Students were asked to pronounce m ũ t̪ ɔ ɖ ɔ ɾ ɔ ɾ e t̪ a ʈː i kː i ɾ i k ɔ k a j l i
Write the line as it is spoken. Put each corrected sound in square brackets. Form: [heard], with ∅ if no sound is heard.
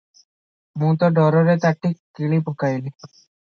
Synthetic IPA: m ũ t̪ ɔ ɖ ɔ ɾ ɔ ɾ e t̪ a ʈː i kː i [ɭ] i [p] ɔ k a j l i